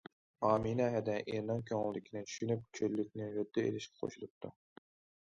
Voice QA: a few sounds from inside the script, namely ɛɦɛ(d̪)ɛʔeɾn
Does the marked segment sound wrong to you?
no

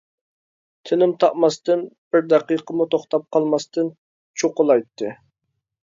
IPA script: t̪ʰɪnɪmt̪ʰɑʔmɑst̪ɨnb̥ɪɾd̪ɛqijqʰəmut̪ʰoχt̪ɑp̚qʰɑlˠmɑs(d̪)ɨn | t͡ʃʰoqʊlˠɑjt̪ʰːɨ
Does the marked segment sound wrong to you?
yes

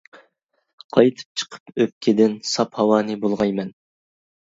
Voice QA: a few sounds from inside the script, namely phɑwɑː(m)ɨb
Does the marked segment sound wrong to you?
yes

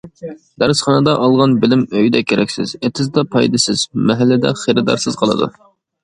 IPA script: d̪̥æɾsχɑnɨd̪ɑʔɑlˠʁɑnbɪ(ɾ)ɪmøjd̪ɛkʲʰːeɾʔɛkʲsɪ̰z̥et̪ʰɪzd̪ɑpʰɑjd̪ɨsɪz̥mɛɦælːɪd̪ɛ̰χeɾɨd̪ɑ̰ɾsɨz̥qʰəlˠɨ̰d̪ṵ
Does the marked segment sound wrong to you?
yes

